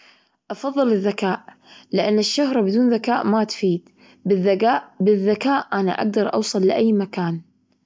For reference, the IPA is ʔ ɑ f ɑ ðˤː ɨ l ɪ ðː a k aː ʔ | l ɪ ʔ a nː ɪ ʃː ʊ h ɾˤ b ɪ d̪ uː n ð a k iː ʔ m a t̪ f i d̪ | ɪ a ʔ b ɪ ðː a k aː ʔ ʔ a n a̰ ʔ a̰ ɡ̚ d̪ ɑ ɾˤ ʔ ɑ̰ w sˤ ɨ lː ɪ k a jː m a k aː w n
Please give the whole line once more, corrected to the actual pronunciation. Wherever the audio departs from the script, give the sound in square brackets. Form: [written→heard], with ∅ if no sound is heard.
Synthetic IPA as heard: ʔ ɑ f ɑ ðˤː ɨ l ɪ ðː a k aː ʔ | l ɪ ʔ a nː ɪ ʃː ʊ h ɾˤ b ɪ d̪ uː n ð a k [iː→aː] ʔ m a t̪ f [i→iː] d̪ | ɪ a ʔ b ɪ ðː a k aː ʔ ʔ a n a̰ ʔ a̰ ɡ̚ d̪ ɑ ɾˤ ʔ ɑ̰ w sˤ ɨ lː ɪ [k→ʔ] a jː m a k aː [w→∅] n